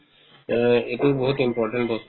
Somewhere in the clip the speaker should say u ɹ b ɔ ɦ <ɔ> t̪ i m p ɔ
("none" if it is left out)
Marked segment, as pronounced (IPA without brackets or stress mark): u